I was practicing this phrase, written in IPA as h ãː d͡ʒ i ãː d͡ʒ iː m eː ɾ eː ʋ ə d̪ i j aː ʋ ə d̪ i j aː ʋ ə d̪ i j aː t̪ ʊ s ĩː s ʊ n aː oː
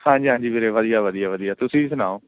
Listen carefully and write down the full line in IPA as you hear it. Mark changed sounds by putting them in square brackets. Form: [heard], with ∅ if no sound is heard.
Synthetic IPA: h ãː d͡ʒ [iː] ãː d͡ʒ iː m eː ɾ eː ʋ ə d̪ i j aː ʋ ə d̪ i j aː ʋ ə d̪ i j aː t̪ ʊ s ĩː s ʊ n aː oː